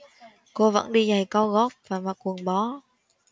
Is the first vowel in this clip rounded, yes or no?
yes